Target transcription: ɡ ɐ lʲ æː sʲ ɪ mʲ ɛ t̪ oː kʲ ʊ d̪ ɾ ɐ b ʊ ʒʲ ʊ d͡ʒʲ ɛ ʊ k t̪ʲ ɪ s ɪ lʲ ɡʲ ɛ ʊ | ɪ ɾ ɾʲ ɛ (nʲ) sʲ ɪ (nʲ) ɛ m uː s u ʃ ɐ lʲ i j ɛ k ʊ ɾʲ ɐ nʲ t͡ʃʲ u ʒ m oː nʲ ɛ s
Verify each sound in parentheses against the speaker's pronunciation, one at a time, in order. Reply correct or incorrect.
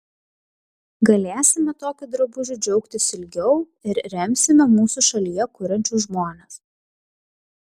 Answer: incorrect: mʲ, incorrect: mʲ

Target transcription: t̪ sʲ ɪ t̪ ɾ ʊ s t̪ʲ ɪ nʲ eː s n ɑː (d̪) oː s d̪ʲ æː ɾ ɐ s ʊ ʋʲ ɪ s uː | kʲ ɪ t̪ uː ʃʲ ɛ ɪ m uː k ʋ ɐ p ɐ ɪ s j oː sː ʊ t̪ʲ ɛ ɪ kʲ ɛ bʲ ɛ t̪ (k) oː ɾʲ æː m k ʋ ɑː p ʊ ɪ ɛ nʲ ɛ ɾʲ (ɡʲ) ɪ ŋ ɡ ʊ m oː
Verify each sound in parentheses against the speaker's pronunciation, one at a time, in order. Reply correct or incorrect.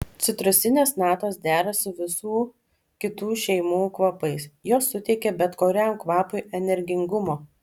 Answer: incorrect: t̪, correct, correct

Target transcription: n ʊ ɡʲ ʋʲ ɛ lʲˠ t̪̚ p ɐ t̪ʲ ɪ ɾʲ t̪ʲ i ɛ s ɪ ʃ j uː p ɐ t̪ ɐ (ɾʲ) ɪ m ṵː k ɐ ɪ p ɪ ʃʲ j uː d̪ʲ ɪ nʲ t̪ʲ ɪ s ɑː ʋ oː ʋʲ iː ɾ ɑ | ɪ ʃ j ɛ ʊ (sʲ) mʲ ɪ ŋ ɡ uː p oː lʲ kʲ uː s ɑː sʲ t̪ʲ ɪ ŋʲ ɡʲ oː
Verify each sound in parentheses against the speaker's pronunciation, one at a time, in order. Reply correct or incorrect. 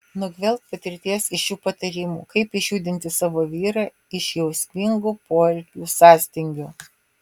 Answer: correct, correct

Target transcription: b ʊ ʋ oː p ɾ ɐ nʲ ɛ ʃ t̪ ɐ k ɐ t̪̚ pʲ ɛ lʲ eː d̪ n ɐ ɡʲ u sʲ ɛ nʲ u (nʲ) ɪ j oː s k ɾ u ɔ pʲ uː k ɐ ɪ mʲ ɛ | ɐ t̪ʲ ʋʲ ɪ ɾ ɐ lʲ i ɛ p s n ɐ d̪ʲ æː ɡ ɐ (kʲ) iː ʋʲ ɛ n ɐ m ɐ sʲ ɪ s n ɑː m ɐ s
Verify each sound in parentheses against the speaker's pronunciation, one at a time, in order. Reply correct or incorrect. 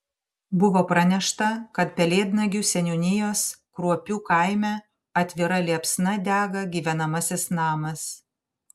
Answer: correct, incorrect: ɡʲ

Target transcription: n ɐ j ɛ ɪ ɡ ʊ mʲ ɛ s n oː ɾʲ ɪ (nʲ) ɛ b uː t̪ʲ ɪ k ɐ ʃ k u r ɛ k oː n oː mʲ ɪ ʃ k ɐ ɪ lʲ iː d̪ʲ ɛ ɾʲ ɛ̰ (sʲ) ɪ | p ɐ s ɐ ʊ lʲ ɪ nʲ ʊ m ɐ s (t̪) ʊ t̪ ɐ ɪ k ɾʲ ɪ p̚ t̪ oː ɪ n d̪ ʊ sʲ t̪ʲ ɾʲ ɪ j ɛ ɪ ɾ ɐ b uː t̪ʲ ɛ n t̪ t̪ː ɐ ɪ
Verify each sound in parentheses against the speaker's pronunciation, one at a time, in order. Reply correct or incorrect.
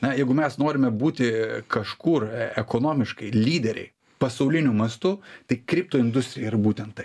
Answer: incorrect: mʲ, incorrect: none, correct

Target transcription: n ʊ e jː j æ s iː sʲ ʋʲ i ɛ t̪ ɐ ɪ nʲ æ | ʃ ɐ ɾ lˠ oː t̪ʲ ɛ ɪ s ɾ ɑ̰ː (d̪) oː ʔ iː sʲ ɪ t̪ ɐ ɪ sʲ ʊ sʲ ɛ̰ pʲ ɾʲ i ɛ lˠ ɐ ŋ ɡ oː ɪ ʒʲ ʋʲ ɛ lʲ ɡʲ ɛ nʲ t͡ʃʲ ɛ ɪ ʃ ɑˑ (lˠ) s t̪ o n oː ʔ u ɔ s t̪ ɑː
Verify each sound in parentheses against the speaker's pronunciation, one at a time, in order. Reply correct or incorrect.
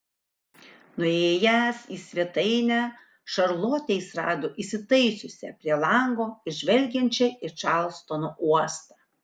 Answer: correct, correct

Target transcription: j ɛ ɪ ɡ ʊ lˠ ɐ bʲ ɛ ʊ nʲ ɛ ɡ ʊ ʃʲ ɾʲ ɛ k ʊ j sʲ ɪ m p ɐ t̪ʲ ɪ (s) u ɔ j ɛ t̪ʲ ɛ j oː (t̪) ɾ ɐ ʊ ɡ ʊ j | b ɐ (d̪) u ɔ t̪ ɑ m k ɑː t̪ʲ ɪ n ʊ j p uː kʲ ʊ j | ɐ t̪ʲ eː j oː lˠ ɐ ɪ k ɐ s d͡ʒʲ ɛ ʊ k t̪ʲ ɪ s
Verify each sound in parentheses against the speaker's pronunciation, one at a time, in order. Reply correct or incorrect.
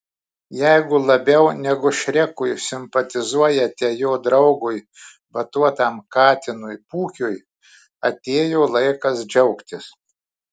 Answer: incorrect: z, incorrect: d̪, incorrect: t̪

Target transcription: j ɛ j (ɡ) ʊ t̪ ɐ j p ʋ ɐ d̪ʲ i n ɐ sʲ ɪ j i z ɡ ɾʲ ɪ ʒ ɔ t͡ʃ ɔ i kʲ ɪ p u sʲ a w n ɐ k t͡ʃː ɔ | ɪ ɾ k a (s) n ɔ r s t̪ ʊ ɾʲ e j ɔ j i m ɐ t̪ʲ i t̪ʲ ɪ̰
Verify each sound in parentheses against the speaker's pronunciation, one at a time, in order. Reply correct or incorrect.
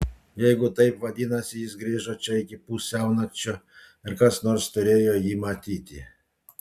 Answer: correct, correct

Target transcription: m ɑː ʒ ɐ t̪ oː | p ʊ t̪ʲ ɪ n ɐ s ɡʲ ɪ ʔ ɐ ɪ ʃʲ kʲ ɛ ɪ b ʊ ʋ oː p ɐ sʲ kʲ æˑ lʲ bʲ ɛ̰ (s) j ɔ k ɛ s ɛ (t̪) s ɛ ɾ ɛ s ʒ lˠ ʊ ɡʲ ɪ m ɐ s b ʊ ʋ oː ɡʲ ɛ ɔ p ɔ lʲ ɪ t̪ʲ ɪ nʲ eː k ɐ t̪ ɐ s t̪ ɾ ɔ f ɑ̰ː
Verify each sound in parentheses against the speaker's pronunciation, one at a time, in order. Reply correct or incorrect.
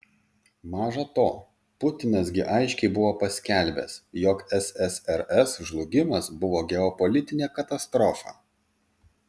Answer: correct, incorrect: none

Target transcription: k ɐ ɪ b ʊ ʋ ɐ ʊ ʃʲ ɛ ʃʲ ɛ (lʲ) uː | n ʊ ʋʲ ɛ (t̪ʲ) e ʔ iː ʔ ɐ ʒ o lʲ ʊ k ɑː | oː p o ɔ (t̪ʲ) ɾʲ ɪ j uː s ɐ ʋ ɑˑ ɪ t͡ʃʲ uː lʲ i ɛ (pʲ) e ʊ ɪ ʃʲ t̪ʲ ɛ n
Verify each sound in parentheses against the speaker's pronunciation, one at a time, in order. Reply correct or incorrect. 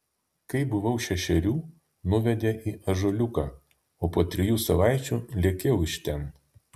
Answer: incorrect: ɾʲ, incorrect: d̪ʲ, correct, incorrect: kʲ

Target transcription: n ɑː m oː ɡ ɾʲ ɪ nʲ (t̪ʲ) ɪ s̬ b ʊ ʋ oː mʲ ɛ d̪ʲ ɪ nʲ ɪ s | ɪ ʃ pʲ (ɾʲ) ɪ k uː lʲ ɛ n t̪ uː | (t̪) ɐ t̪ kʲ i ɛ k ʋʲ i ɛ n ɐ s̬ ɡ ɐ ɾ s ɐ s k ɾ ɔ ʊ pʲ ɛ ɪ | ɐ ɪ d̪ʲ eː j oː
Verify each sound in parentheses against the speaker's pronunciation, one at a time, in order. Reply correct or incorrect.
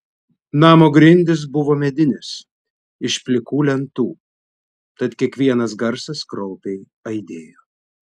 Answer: incorrect: d̪ʲ, incorrect: lʲ, correct

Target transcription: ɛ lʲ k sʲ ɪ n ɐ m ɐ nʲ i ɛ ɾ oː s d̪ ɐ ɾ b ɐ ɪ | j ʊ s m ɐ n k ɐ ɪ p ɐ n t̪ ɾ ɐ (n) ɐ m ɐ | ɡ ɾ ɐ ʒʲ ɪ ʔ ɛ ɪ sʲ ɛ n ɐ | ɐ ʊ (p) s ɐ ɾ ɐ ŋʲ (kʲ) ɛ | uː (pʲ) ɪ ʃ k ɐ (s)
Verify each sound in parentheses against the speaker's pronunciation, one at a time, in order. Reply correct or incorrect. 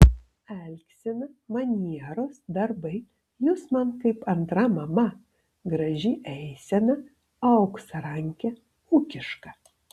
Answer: incorrect: m, incorrect: k, correct, incorrect: kʲ, incorrect: none

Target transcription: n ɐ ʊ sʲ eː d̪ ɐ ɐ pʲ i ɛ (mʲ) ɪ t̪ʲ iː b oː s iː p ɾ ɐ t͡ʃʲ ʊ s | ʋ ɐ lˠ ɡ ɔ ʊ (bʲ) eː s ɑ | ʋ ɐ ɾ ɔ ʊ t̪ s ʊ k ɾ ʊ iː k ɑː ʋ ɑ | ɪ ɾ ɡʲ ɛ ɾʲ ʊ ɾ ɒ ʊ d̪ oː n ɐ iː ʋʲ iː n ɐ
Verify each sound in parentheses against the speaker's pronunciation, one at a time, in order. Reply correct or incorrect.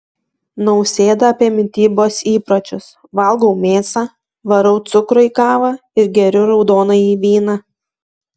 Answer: correct, incorrect: mʲ

